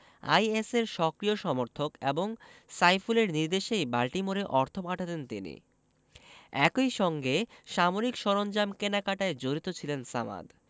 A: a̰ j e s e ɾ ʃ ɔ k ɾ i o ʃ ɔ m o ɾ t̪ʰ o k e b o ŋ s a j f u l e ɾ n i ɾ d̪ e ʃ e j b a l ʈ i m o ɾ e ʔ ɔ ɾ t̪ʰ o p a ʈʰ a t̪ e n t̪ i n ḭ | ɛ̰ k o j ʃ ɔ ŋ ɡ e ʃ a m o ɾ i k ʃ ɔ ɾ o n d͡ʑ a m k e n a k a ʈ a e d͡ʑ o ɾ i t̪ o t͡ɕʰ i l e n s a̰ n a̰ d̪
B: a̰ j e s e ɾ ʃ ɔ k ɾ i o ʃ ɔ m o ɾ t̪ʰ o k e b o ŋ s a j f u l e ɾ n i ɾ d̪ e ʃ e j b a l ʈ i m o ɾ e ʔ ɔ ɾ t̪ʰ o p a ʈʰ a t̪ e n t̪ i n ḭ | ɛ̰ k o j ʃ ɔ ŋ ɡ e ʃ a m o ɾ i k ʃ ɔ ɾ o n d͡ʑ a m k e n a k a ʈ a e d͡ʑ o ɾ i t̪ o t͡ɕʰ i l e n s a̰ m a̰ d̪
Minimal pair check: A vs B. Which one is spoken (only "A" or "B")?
B